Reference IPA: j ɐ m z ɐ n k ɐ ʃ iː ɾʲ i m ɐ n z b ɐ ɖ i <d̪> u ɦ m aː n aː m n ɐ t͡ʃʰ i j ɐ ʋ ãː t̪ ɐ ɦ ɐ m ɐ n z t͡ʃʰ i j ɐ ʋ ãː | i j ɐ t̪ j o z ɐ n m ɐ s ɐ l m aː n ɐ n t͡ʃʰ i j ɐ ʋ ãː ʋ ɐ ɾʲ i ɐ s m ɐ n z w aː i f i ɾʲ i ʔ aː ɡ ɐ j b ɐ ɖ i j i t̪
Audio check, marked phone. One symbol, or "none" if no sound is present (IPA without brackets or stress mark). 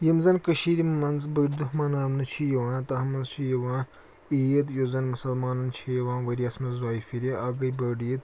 d̪